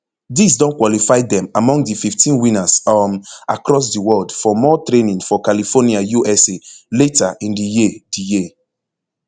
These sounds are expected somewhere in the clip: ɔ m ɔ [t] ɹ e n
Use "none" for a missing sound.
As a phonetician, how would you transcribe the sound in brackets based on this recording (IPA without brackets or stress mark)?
t